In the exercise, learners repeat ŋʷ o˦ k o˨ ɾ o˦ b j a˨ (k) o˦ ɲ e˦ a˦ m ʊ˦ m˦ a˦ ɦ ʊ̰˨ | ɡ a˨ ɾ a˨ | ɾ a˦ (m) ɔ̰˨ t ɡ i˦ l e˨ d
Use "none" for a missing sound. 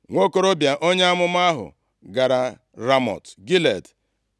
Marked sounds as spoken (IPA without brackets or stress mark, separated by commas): ʔ, m